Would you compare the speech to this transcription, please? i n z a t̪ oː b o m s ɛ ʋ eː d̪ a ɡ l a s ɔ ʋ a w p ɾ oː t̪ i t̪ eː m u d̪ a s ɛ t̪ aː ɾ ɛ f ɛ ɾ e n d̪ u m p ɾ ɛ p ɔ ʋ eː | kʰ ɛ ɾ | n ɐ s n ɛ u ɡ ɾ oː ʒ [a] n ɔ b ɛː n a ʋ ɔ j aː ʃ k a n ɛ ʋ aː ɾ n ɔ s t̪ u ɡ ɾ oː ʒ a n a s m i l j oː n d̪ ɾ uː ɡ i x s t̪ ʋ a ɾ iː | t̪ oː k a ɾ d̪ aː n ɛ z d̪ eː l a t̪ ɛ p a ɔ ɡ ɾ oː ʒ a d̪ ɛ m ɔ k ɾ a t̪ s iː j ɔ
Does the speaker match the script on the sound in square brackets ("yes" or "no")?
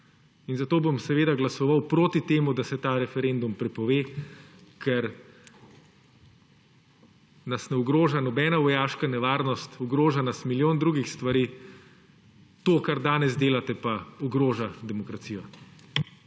yes